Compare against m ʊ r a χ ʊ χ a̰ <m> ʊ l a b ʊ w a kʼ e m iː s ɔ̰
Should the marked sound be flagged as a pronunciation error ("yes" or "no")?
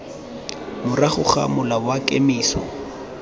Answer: no